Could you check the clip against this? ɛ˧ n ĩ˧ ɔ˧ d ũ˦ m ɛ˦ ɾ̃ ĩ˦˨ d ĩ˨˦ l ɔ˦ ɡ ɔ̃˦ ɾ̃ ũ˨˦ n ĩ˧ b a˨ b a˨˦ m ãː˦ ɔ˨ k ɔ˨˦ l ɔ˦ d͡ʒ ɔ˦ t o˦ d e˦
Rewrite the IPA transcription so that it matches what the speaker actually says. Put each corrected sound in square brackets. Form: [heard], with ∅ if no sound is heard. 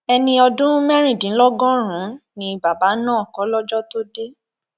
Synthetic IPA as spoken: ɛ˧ n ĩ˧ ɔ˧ d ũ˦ m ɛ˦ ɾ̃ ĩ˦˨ d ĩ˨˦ l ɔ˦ ɡ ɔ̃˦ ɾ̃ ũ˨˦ n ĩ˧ b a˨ b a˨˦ [n] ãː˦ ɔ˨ k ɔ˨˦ l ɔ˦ d͡ʒ ɔ˦ t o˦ d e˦